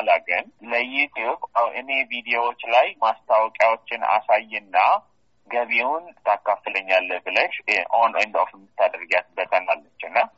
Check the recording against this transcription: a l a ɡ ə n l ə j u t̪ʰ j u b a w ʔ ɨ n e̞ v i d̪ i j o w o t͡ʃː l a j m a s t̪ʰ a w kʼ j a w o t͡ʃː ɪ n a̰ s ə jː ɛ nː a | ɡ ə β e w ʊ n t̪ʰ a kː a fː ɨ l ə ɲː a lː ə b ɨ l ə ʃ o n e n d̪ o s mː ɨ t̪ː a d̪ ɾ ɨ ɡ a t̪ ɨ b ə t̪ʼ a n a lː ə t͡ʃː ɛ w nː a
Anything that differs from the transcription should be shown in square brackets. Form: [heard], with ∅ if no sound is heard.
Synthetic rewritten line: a l a ɡ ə n l ə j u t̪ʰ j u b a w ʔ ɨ n e̞ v i d̪ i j o w o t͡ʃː l a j m a s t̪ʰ a w kʼ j a w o t͡ʃː ɪ n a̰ s [a] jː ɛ nː a | ɡ ə β e w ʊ n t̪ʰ a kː a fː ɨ l ə ɲː a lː ə b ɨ l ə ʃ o n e n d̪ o [f] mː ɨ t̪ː a d̪ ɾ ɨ ɡ a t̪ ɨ b ə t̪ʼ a n a lː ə t͡ʃː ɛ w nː a